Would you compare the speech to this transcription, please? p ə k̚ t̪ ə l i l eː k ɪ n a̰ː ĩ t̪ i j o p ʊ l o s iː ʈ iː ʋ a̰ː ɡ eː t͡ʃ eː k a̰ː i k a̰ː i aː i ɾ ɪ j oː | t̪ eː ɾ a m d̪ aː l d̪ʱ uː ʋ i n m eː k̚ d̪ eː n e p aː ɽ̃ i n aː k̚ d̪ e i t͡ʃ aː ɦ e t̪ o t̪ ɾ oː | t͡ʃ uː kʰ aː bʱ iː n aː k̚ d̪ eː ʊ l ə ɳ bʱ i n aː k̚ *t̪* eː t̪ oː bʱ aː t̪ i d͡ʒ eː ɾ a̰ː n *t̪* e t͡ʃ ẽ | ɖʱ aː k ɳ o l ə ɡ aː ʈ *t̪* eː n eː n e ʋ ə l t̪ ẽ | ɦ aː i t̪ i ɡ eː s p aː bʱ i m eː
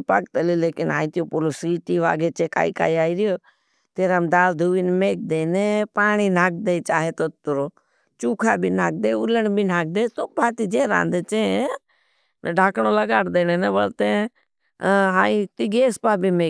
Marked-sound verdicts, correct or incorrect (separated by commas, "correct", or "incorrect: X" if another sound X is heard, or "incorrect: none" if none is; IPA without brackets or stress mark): incorrect: d̪, incorrect: d̪, incorrect: d̪